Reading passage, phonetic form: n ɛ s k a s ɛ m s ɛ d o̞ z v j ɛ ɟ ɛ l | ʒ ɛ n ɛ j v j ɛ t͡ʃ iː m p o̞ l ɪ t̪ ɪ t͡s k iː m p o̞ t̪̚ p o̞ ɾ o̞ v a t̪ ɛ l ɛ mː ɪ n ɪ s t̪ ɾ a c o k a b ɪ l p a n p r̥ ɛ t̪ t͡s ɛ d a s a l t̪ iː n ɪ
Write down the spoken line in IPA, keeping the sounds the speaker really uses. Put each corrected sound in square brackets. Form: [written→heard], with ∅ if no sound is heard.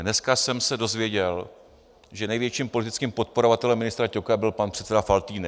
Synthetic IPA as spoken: n ɛ s k a s ɛ m s ɛ d o̞ z v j ɛ ɟ ɛ l | ʒ ɛ n ɛ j v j ɛ t͡ʃ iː m p o̞ l ɪ t̪ ɪ t͡s k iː m p o̞ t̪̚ p o̞ ɾ o̞ v a t̪ ɛ l ɛ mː ɪ n ɪ s t̪ ɾ a c o k a b ɪ l p a n p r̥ ɛ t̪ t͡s ɛ d a [s→f] a l t̪ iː n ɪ